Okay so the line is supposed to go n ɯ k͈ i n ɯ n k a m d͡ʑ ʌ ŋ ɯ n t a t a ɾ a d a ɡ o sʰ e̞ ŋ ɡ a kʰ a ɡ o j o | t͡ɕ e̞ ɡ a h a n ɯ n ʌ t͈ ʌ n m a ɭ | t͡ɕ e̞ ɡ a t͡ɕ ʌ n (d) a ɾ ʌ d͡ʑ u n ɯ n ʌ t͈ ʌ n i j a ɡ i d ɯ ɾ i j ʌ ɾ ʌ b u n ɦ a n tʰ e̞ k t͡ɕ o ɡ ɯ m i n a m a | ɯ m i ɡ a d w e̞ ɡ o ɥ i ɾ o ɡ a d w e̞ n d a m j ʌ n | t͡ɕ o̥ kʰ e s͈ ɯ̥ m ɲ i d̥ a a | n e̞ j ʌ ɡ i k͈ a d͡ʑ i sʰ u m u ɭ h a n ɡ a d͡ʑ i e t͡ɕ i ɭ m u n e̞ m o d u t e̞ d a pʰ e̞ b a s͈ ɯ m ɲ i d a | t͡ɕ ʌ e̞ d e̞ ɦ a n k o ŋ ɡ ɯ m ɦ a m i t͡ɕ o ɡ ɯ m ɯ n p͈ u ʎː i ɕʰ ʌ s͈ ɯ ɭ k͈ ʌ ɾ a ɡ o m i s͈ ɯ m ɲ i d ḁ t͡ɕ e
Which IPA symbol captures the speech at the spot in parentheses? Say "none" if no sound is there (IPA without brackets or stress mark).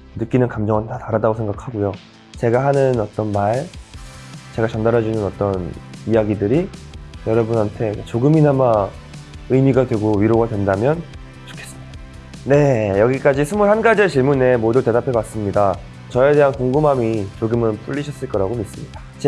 d